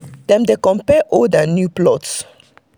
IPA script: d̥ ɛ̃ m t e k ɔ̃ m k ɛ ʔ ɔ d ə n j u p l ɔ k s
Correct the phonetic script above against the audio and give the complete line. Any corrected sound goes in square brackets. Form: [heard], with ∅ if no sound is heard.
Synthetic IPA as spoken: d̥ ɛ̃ m [d] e k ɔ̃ m [p] ɛ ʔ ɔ d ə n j u p l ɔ [t] s